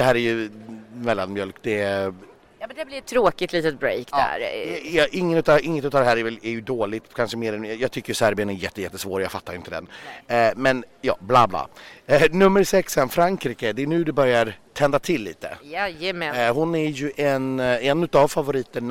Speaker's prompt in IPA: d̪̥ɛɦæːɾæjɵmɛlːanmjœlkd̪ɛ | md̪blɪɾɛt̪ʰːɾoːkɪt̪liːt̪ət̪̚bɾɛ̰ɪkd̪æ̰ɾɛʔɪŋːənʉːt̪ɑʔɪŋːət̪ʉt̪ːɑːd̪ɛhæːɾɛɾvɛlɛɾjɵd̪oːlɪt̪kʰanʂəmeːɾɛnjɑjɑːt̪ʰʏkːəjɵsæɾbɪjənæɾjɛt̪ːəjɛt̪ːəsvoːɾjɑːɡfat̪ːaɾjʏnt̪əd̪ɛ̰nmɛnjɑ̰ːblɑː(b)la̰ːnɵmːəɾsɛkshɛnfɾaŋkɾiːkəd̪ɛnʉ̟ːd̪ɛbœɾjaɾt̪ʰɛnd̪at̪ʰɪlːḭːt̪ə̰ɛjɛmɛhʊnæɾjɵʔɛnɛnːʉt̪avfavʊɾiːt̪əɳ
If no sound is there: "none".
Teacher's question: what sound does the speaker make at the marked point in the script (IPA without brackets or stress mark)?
b